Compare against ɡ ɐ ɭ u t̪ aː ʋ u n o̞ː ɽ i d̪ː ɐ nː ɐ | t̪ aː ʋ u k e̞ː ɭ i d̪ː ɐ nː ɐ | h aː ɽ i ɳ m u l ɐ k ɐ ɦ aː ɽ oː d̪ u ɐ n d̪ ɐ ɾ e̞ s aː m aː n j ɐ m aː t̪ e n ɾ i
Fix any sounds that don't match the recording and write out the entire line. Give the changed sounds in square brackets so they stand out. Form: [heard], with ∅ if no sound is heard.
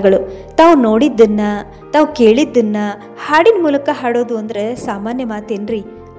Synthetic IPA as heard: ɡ ɐ ɭ u t̪ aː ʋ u n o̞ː ɽ i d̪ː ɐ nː ɐ | t̪ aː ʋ u k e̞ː ɭ i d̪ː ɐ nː ɐ | h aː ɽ i [n] m [uː] l ɐ k ɐ ɦ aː ɽ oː d̪ u ɐ n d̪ ɐ ɾ e̞ s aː m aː n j ɐ m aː t̪ e n ɾ i